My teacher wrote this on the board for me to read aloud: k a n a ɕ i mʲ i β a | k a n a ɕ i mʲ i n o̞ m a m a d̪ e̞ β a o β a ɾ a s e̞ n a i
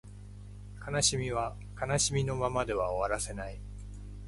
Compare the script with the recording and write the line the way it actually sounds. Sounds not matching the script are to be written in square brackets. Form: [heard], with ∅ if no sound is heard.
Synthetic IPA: k a n a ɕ i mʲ i β a | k a n a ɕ i mʲ i n o̞ m a m a d̪ e̞ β a o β a ɾ a s e̞ n a i